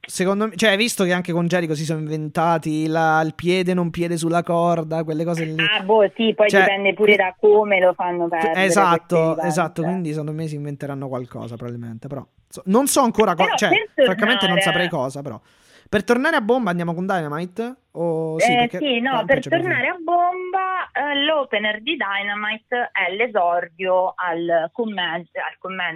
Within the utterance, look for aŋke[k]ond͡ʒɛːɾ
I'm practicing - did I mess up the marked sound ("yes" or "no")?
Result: no